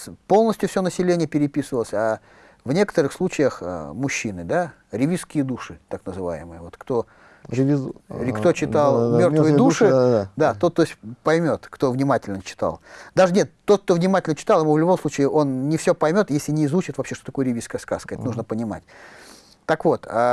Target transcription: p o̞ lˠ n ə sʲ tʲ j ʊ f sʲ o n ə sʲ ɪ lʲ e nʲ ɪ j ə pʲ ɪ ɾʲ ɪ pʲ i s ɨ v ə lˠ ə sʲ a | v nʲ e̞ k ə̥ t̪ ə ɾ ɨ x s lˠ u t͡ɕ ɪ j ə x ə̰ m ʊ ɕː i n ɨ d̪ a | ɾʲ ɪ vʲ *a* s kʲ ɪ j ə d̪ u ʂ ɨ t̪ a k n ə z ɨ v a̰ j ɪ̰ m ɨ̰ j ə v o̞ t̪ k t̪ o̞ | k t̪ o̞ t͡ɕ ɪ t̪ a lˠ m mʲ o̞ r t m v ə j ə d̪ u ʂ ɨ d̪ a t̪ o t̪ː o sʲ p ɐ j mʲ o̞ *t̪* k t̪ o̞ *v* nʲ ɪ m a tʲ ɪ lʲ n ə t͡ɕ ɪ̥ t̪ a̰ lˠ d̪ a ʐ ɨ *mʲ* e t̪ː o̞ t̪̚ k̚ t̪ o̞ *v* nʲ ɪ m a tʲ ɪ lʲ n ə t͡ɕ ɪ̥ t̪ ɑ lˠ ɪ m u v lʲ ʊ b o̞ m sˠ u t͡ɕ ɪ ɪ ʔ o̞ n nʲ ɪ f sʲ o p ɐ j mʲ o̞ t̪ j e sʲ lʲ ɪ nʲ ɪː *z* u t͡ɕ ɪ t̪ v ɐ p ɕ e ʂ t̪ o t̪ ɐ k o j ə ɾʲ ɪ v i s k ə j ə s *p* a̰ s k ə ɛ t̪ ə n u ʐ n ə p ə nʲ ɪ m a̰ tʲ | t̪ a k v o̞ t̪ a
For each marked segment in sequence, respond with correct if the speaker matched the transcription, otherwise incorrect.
incorrect: i, correct, correct, incorrect: nʲ, correct, correct, incorrect: k

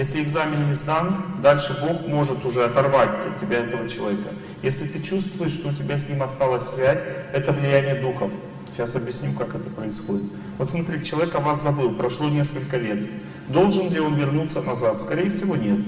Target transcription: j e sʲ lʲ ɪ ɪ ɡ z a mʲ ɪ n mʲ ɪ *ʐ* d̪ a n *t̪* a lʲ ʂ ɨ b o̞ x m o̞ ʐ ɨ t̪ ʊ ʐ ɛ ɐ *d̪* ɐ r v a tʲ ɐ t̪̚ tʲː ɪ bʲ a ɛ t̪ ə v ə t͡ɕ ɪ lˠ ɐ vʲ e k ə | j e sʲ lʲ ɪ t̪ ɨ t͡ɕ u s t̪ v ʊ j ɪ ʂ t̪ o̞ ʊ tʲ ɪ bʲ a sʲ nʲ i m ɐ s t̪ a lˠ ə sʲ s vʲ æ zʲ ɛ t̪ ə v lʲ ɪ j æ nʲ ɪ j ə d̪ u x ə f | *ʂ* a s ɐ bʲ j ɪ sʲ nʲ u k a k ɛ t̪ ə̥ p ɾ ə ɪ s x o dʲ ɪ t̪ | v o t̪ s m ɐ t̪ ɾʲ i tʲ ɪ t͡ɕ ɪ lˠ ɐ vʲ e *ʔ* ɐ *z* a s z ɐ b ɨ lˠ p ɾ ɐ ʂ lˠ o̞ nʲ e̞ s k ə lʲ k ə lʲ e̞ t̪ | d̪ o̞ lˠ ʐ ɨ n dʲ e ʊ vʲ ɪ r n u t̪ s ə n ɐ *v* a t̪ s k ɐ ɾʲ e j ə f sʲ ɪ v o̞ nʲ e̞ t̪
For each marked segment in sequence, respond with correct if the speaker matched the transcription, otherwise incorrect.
incorrect: z, incorrect: d̪, incorrect: t̪, incorrect: ɕ, incorrect: k, incorrect: v, incorrect: z

